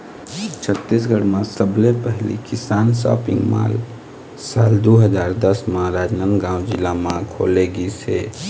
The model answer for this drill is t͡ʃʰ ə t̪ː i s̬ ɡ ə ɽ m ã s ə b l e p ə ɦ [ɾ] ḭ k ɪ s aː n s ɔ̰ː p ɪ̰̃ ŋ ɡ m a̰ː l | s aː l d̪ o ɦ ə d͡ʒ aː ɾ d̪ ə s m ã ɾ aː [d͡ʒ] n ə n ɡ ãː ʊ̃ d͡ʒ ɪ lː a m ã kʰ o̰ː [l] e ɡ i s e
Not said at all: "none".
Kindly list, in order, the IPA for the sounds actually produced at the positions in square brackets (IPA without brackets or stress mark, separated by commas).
l, d͡ʒ, l